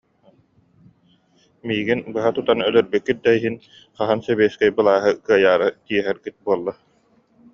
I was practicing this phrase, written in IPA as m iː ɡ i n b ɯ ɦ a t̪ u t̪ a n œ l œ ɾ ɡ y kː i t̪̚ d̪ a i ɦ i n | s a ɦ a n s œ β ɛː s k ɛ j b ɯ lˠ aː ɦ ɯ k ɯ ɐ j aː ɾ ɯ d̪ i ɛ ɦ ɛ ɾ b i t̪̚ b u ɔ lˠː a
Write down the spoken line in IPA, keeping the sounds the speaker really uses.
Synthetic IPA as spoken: m iː ɡ i n b ɯ ɦ a t̪ u t̪ a n œ l œ ɾ b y kː i t̪̚ d̪ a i ɦ i n | χ a ɦ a n s ɛ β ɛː s k ɛ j b ɯ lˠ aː ɦ ɯ k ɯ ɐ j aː ɾ ɯ t̪ i ɛ ɦ ɛ ɾ ɡ i t̪̚ b u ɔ lˠː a